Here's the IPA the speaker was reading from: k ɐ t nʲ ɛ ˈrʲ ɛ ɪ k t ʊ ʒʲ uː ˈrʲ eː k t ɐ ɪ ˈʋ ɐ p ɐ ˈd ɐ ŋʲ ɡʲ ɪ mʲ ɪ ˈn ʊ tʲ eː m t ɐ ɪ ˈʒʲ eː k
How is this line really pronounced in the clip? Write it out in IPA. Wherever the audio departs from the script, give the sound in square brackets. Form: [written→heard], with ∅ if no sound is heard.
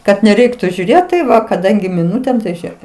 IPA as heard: k ɐ t nʲ ɛ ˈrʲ ɛ ɪ k t ʊ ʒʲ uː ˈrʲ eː [k→t] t ɐ ɪ ˈʋ ɐ [p→k] ɐ ˈd ɐ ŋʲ ɡʲ ɪ mʲ ɪ ˈn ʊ tʲ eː m t ɐ ɪ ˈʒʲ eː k